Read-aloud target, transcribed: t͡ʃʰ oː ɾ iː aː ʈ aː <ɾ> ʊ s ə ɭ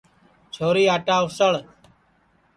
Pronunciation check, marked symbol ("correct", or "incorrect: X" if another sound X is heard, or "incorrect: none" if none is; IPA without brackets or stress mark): incorrect: none